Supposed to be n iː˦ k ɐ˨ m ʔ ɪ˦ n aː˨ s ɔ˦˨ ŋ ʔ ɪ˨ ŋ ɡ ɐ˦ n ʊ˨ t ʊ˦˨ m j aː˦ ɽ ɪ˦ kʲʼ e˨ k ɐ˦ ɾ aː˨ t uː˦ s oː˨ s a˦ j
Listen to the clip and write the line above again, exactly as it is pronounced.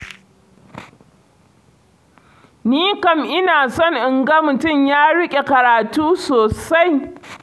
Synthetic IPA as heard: n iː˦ k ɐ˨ m ʔ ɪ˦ n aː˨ s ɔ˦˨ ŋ ʔ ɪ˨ ŋ ɡ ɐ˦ m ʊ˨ t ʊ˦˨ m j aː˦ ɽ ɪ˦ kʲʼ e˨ k ɐ˨ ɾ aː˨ t uː˦ s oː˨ s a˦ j